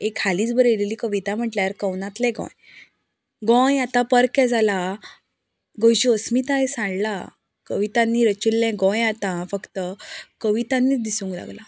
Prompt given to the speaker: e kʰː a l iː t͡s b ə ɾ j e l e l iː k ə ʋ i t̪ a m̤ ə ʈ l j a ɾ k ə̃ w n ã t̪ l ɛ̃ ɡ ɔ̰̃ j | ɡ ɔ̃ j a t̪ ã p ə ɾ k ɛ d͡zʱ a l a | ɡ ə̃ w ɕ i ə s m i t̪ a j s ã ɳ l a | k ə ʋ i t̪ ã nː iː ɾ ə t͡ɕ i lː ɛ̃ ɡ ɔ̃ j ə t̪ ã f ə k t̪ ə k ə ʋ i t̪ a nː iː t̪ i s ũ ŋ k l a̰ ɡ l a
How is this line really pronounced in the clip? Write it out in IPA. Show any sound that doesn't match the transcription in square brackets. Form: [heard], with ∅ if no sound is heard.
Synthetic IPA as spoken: e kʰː a l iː t͡s b ə ɾ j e l e l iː k ə ʋ i t̪ a m̤ ə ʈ l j a ɾ k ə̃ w n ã t̪ l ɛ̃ ɡ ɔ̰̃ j | ɡ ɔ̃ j a t̪ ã p ə ɾ k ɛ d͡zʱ a l a | ɡ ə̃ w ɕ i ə s m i t̪ a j s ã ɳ l a | k ə ʋ i t̪ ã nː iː ɾ ə t͡ɕ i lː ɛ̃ ɡ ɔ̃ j [a] t̪ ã f ə k t̪ ə k ə ʋ i t̪ a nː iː [d̪] i s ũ ŋ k l a̰ ɡ l a

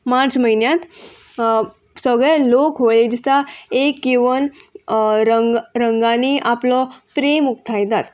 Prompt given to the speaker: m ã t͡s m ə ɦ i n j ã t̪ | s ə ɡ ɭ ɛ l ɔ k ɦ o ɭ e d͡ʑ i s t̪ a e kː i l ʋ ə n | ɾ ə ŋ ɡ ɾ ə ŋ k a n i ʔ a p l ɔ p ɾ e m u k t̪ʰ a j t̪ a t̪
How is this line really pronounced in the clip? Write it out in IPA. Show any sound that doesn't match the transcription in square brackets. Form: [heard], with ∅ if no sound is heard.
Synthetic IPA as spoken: m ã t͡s m ə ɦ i n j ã t̪ | s ə ɡ ɭ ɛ l [o] k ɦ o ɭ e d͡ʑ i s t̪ a e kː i [∅] ʋ ə n | ɾ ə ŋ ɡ ɾ ə ŋ [ɡ] a n i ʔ a p l ɔ p ɾ e m u k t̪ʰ a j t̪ a t̪

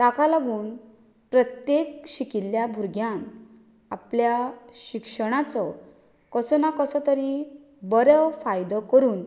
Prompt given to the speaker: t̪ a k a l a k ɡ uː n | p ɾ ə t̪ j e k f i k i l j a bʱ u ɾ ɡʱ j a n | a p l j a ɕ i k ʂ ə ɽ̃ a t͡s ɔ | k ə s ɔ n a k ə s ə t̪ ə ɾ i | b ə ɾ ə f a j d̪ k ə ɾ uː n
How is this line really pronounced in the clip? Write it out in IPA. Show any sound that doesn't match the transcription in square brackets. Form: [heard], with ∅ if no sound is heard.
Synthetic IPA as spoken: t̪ a k a l a [∅] ɡ uː n | p ɾ ə t̪ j e k [ɕ] i k i l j a bʱ u ɾ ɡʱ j a n | a p l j a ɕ i k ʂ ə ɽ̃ a t͡s ɔ | k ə s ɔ n a k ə s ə t̪ ə ɾ i | b ə ɾ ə f a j d̪ k ə ɾ uː n

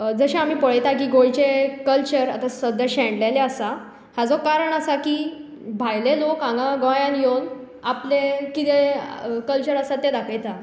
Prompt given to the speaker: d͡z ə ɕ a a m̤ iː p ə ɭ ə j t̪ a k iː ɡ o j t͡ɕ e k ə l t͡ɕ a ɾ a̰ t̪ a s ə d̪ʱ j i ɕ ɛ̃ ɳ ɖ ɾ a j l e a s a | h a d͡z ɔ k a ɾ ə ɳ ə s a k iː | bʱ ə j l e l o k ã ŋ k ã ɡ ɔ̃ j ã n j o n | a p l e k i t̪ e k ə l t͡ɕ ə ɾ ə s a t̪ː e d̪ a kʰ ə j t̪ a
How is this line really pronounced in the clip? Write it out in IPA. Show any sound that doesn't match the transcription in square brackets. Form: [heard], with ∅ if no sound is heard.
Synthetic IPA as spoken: d͡z ə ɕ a a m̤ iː p ə ɭ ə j t̪ a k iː ɡ o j t͡ɕ e k ə l t͡ɕ [ə] ɾ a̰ t̪ a s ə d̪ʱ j [a] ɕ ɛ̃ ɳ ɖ [l] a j l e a s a | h a d͡z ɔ k a ɾ ə ɳ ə s a k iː | bʱ [a] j l e l o k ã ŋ [ɡ] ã ɡ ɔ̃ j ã n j o n | a p l e k i t̪ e k ə l t͡ɕ ə ɾ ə s a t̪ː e d̪ a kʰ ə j t̪ a

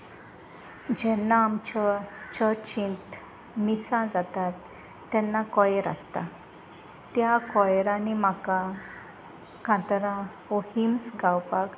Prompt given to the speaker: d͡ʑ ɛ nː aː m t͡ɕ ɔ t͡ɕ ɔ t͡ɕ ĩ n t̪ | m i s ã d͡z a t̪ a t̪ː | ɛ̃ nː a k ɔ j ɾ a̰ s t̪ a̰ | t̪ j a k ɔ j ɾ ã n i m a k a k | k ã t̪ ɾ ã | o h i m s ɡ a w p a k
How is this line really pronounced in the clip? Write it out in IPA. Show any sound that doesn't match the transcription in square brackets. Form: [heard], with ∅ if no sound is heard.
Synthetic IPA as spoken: d͡ʑ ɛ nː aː m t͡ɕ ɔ t͡ɕ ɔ t͡ɕ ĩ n t̪ | m i s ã d͡z a t̪ a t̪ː | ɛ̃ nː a k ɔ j ɾ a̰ s t̪ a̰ | t̪ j a k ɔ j ɾ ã n i m a k a [∅] | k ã t̪ ɾ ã | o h i m s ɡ a w p a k

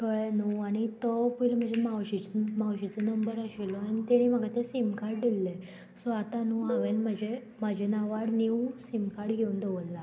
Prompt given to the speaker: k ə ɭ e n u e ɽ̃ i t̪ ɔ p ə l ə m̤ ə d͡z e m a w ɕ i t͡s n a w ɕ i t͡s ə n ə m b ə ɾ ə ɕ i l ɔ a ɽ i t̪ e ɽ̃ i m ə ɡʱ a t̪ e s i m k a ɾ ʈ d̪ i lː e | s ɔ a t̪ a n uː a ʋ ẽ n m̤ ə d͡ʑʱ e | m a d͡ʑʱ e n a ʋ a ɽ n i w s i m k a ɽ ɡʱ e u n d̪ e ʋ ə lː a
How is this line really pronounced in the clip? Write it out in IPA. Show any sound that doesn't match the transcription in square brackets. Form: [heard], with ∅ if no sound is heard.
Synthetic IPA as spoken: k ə ɭ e n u [a] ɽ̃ i t̪ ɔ p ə l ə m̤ ə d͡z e m a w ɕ i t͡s [m] a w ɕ i t͡s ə n ə m b ə ɾ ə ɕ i l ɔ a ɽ i t̪ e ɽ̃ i m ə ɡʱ a t̪ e s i m k a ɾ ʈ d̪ i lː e | s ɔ a t̪ a n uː a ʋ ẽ n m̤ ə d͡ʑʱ e | m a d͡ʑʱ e n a ʋ a ɽ n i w s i m k a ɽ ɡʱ e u n d̪ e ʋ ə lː a

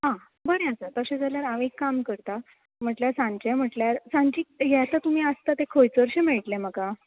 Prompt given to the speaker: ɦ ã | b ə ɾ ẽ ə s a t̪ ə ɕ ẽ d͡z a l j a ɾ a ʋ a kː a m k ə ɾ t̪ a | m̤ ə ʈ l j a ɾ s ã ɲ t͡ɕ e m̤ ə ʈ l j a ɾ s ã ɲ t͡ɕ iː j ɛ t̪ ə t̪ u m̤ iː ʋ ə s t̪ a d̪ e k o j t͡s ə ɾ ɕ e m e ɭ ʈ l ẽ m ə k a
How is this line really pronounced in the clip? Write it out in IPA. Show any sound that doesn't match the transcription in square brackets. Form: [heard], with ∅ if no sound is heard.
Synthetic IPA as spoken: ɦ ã | b ə ɾ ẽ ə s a t̪ ə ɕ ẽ d͡z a l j a ɾ a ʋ [e] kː a m k ə ɾ t̪ a | m̤ ə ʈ l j a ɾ s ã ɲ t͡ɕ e m̤ ə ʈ l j a ɾ s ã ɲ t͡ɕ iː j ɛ t̪ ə t̪ u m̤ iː [∅] ə s t̪ a [t̪] e [kʰ] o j t͡s ə ɾ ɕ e m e ɭ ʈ l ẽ m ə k a

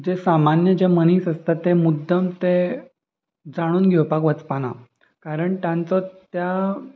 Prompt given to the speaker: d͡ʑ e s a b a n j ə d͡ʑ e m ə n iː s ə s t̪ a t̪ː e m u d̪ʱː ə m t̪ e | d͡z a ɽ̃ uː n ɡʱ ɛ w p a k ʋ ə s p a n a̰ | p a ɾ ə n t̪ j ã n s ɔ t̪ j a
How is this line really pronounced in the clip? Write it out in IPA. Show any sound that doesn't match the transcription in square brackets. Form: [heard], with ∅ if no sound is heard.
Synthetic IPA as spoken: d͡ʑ e s a [m] a n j ə d͡ʑ e m ə n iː s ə s t̪ a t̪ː e m u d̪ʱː ə m t̪ e | d͡z a ɽ̃ uː n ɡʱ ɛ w p a k ʋ ə [t͡s] p a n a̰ | [k] a ɾ ə [ɳ] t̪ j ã n [t͡s] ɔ t̪ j a

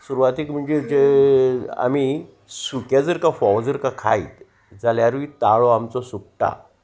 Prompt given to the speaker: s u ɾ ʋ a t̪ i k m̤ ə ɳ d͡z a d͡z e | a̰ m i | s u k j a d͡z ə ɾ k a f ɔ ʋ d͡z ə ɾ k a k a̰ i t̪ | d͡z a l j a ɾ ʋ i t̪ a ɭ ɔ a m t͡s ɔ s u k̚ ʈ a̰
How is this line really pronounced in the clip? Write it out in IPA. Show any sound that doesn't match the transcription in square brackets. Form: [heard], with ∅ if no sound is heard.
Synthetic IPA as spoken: s u ɾ ʋ a t̪ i k m̤ ə ɳ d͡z [e] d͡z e | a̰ m i | s u k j a d͡z ə ɾ k a f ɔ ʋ d͡z ə ɾ k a [kʰ] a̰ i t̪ | d͡z a l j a ɾ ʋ i t̪ a ɭ ɔ a m t͡s ɔ s u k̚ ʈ a̰

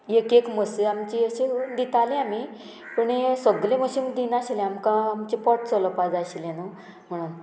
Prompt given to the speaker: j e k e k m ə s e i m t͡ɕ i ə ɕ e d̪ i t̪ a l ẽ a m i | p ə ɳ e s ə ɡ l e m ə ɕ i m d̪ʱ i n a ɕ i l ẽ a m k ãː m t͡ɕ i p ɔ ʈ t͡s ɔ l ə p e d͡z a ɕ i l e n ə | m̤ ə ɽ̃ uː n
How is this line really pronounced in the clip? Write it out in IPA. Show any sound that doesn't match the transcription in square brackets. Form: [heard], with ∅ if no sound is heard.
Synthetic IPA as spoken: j e k e k m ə s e [a] m t͡ɕ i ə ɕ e d̪ i t̪ a l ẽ a m i | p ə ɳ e s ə ɡ l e m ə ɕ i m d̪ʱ i n a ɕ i l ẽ a m k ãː m t͡ɕ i p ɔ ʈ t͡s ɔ l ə p [a] d͡z a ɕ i l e n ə | m̤ ə ɽ̃ uː n

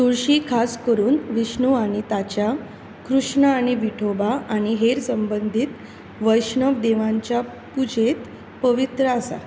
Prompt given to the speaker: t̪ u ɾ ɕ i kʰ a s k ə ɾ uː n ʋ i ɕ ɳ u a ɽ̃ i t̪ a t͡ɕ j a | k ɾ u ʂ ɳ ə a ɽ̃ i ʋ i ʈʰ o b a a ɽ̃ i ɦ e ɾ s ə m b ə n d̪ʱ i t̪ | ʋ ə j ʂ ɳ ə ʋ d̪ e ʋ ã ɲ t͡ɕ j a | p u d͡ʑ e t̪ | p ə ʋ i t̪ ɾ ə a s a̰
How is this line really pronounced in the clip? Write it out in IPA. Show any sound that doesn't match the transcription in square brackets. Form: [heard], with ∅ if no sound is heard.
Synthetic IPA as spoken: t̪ u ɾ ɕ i kʰ a s k ə ɾ uː n ʋ i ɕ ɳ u a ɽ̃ i t̪ a t͡ɕ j a | k ɾ u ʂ ɳ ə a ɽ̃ i ʋ i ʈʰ o b a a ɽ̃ i ɦ e ɾ s ə m b ə n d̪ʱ i t̪ | ʋ ə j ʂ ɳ ə ʋ d̪ e ʋ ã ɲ t͡ɕ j a | p u d͡ʑ e t̪ | p ə ʋ i t̪ ɾ ə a s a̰

